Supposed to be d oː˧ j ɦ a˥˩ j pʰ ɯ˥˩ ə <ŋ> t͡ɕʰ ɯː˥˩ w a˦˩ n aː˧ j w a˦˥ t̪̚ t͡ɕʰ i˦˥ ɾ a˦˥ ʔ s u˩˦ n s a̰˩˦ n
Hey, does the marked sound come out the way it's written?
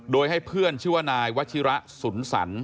no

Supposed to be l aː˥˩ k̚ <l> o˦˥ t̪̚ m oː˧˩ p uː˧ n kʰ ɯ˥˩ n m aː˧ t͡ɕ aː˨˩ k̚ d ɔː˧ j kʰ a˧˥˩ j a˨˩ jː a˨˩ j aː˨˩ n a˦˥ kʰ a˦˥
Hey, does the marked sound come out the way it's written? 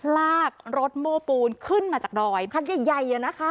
no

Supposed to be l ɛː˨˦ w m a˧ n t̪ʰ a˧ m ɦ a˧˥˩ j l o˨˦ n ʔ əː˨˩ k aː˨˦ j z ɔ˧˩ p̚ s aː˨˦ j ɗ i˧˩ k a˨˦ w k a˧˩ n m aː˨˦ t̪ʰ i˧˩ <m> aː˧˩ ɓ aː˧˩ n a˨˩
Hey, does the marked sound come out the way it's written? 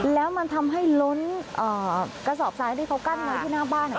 no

